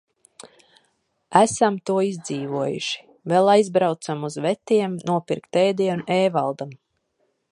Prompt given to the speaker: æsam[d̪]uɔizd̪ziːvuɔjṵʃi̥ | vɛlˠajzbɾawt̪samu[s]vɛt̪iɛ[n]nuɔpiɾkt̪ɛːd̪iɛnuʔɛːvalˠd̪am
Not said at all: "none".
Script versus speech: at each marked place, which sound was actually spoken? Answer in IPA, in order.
t̪, z, m

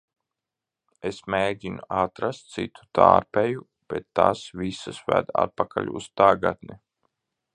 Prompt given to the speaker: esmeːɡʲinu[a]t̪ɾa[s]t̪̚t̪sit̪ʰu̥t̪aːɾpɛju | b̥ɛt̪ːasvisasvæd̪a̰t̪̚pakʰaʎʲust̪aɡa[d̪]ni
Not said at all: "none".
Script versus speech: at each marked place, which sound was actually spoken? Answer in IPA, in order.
a, s, t̪

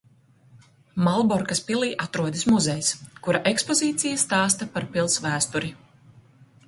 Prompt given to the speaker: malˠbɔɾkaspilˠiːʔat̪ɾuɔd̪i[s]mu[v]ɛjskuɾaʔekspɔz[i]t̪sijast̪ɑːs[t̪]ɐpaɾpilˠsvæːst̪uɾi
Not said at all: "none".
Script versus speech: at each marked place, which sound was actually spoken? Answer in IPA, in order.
s, z, iː, t̪

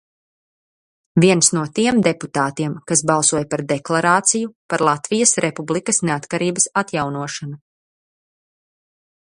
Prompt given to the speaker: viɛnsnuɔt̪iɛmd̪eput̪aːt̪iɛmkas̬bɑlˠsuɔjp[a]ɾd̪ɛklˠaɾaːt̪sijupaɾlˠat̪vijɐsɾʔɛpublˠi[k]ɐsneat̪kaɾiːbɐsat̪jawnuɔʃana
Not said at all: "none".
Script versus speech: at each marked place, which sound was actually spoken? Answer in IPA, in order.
a, k

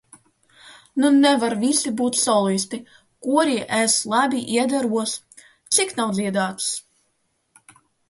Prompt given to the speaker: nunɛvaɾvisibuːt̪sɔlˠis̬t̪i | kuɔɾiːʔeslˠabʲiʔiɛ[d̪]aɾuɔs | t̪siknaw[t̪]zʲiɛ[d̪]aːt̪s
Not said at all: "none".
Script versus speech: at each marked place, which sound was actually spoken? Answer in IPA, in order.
d̪, d̪, d̪

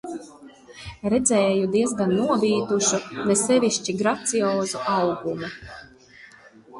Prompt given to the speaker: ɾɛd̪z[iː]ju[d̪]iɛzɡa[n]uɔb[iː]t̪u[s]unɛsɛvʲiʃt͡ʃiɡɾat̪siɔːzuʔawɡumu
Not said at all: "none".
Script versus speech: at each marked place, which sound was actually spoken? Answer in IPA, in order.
ɛː, d̪, nː, iː, ʃ

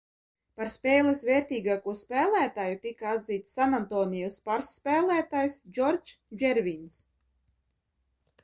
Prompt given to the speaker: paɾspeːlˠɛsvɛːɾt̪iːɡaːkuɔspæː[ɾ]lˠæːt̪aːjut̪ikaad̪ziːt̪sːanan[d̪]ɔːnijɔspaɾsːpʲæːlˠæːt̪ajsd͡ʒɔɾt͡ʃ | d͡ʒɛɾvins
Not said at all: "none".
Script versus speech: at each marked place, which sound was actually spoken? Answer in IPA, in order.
none, t̪

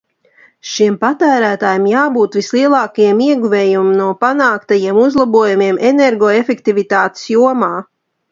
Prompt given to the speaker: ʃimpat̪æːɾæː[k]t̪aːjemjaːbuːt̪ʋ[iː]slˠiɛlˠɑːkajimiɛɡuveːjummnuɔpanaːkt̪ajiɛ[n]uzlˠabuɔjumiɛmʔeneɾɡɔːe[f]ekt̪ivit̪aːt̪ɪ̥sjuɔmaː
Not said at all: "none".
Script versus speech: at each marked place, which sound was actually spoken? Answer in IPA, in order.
none, i, m, f

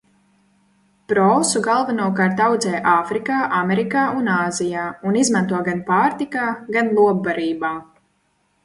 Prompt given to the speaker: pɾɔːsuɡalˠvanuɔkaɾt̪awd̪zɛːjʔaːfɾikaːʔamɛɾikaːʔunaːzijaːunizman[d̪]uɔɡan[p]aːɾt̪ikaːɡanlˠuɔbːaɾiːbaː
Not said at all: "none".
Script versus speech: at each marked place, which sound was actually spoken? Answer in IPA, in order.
t̪, p

